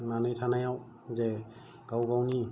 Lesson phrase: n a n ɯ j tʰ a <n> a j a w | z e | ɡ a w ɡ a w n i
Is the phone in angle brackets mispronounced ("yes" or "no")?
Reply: no